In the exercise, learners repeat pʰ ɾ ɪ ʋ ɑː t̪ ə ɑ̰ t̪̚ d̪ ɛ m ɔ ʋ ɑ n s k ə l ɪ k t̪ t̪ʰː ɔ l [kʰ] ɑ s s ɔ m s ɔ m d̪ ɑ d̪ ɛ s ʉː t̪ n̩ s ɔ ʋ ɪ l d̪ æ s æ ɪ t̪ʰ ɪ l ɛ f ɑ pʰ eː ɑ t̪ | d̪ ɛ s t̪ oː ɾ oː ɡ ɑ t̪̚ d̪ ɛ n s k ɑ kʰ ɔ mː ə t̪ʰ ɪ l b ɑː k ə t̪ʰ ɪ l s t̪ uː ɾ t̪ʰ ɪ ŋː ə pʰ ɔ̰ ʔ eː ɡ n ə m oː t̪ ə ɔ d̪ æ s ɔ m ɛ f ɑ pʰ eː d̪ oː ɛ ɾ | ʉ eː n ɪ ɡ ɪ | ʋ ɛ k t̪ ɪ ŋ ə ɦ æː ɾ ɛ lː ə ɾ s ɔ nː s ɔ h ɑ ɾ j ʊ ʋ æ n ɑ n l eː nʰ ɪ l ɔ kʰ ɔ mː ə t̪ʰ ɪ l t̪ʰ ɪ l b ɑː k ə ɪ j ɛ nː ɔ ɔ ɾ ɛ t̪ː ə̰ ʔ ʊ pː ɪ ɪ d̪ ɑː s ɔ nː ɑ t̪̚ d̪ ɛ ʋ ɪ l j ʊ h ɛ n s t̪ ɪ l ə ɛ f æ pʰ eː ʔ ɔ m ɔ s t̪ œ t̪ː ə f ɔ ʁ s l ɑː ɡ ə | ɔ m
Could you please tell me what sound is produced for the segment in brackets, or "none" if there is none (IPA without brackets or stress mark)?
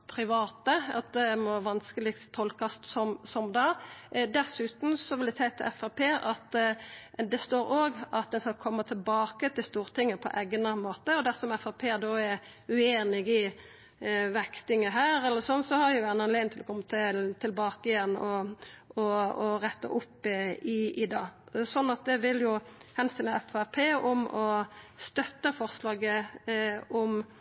k